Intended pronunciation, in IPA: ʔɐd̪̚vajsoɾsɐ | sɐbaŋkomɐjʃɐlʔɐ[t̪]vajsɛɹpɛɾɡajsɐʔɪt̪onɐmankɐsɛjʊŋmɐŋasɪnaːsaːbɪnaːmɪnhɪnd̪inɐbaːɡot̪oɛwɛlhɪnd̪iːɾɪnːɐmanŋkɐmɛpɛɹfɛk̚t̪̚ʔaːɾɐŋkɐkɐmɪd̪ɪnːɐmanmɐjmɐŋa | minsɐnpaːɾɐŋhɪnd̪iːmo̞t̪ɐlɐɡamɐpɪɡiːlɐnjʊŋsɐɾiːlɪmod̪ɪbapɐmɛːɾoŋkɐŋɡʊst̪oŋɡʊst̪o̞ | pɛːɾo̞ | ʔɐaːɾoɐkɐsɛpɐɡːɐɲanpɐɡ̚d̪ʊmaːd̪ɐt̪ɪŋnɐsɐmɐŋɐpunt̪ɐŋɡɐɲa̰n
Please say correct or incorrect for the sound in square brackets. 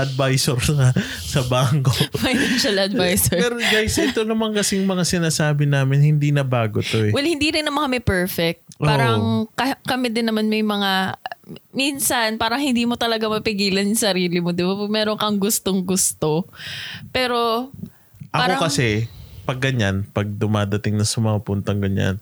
incorrect